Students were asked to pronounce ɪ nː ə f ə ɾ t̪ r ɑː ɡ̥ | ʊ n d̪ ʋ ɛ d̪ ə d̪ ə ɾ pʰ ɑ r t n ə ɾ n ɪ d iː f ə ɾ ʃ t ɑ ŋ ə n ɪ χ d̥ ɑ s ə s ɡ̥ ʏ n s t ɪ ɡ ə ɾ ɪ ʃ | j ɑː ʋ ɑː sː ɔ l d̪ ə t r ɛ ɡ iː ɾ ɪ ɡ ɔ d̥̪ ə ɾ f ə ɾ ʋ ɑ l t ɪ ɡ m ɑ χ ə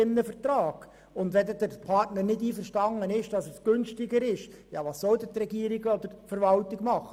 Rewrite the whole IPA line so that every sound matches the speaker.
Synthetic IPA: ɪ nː ə f ə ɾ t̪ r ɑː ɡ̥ | ʊ n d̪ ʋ ɛ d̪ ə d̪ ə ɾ pʰ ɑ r t n ə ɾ n ɪ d iː f ə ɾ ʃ t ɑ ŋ ə n ɪ ʃ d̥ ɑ s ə s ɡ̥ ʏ n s t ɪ ɡ ə ɾ ɪ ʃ | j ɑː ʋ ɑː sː ɔ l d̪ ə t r ɛ ɡ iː ɾ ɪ ɡ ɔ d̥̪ ə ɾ f ə ɾ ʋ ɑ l t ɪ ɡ m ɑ χ ə